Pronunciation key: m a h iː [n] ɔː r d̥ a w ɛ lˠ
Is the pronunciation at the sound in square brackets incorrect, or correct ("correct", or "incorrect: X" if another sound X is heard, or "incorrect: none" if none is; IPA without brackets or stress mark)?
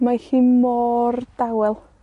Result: incorrect: m